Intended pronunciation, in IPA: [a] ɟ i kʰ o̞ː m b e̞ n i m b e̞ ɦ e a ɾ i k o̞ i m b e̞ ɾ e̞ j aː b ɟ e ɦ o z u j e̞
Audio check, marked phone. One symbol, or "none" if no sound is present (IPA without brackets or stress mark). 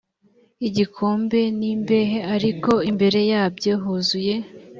i